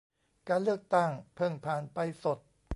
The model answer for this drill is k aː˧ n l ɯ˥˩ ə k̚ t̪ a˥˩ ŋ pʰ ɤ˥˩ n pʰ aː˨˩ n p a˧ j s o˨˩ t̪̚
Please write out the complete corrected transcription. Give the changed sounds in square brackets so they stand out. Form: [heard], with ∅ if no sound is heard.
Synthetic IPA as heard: k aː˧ n l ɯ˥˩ ə k̚ t̪ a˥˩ ŋ pʰ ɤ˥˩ [ŋ] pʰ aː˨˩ n p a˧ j s o˨˩ t̪̚